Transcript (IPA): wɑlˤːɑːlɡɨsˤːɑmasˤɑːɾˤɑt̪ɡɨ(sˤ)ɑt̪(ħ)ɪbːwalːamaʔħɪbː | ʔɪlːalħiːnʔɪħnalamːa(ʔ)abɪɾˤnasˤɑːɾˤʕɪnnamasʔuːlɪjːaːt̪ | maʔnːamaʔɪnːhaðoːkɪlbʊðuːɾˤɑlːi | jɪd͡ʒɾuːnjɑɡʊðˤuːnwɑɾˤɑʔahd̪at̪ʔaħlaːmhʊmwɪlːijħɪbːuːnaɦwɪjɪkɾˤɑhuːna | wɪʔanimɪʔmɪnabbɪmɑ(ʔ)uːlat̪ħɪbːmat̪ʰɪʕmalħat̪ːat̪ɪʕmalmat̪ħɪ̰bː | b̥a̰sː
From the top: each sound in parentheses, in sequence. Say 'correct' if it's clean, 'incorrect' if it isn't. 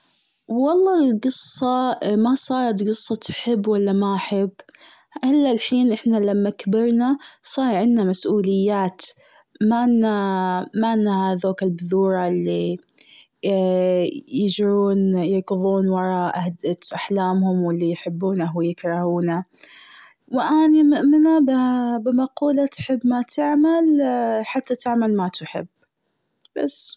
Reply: incorrect, correct, incorrect, incorrect

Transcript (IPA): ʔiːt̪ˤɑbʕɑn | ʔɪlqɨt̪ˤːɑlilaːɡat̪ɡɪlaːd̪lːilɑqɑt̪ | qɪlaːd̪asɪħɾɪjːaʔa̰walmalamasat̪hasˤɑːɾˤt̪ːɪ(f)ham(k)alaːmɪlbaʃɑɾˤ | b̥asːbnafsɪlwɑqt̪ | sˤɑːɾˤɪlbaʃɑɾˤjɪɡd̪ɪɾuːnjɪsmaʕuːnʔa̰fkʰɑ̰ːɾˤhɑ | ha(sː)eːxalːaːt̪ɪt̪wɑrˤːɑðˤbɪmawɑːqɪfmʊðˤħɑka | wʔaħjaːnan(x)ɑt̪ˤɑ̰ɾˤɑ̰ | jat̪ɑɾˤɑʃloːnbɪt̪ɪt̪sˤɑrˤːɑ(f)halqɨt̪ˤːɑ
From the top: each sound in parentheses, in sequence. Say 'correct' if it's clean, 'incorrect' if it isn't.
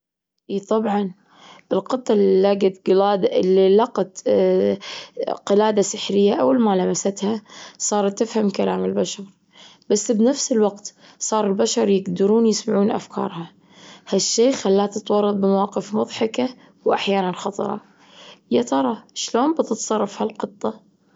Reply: correct, correct, incorrect, correct, correct

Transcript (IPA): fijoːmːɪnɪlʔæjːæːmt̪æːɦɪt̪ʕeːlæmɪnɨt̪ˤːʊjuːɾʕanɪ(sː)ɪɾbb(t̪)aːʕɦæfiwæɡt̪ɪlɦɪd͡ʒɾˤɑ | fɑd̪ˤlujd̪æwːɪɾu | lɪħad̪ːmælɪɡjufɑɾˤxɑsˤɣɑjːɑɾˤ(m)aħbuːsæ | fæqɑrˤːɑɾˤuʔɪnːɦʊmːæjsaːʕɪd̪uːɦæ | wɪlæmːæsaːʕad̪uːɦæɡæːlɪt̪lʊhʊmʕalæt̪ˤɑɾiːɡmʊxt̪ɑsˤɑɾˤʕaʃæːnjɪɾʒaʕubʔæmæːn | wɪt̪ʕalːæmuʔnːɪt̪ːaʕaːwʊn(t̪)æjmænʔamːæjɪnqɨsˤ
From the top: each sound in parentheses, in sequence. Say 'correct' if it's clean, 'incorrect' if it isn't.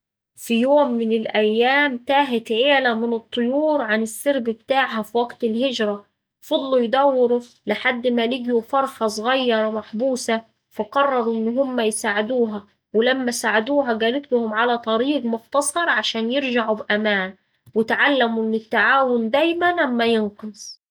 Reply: correct, correct, correct, incorrect

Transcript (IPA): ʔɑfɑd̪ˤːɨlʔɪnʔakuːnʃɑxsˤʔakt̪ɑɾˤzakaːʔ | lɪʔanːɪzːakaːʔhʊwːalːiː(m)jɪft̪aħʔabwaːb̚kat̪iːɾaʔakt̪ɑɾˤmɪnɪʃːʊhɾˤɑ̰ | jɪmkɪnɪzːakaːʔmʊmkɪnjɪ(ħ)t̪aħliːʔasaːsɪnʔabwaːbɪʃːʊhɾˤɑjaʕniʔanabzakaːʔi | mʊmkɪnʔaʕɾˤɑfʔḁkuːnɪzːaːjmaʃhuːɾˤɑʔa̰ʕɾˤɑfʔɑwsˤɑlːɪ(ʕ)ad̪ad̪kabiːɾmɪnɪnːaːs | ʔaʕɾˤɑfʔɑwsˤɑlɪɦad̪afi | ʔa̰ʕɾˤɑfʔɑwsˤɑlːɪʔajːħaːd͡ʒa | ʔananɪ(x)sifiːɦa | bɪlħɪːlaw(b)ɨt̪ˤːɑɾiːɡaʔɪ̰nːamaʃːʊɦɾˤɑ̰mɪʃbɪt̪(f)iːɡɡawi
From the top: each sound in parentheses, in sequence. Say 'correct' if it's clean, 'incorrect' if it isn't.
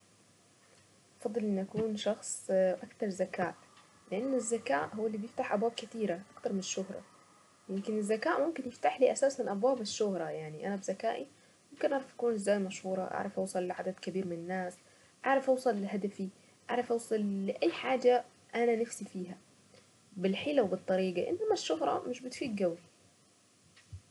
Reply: incorrect, incorrect, correct, incorrect, correct, correct

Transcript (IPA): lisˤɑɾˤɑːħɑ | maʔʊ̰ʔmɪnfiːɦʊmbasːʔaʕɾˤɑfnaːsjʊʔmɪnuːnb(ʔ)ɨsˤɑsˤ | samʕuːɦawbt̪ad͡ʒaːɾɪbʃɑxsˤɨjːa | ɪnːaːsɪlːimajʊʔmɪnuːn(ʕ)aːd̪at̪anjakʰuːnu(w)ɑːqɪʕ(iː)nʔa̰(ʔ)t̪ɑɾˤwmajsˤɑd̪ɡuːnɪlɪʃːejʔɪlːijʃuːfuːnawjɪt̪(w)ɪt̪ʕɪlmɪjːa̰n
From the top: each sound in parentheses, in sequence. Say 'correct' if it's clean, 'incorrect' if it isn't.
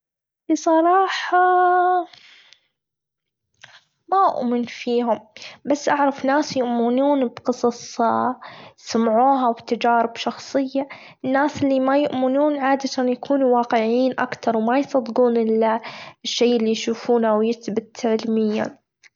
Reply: incorrect, correct, correct, correct, incorrect, incorrect

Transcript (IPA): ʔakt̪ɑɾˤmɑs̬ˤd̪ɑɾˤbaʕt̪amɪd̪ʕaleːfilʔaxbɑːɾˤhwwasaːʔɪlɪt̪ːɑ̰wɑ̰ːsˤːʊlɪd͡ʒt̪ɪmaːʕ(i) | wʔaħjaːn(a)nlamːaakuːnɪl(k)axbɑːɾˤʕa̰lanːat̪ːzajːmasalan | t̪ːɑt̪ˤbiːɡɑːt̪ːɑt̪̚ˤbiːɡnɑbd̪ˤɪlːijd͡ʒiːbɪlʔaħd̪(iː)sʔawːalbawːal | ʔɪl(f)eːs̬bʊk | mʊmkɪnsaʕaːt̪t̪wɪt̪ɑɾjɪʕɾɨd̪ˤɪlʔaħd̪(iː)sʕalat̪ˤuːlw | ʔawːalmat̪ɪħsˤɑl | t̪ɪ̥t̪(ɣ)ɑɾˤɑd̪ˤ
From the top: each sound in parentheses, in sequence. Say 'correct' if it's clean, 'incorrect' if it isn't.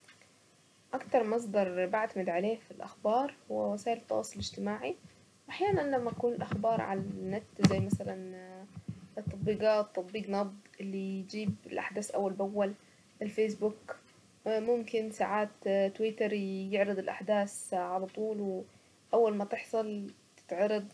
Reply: correct, correct, incorrect, incorrect, correct, incorrect, incorrect

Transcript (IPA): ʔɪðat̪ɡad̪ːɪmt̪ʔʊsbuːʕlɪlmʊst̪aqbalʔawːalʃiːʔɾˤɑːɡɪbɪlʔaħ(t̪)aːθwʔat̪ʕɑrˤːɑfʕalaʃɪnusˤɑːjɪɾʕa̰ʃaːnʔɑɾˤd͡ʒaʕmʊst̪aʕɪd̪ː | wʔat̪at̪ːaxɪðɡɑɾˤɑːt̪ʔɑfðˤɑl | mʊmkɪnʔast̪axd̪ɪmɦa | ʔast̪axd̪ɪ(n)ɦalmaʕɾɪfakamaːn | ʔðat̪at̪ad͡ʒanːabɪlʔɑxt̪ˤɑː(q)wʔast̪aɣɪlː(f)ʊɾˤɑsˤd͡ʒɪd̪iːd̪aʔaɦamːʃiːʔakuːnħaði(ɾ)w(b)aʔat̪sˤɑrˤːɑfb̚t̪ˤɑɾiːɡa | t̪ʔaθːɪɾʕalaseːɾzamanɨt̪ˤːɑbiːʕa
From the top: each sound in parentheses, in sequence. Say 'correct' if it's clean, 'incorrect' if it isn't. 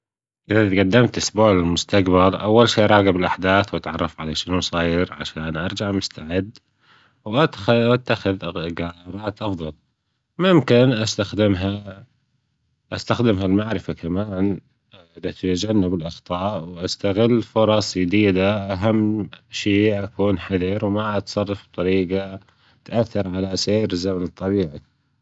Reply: incorrect, incorrect, incorrect, correct, correct, incorrect

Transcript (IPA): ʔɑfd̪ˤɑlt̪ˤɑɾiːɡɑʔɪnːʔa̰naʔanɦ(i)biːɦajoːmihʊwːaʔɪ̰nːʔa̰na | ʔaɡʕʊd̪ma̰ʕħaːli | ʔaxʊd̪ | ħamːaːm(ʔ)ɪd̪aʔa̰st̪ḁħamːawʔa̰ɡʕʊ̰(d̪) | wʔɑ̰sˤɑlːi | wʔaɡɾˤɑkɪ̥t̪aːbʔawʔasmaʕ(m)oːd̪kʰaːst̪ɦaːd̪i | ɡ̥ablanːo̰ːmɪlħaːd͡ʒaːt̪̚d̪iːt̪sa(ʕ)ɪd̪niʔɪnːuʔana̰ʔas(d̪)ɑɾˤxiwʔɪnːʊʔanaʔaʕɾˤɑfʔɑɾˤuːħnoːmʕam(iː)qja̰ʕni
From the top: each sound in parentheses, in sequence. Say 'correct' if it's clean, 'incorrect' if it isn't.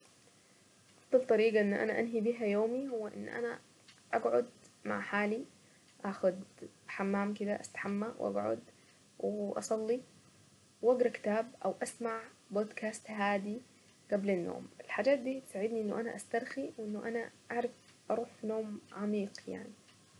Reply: correct, incorrect, correct, incorrect, correct, incorrect, correct

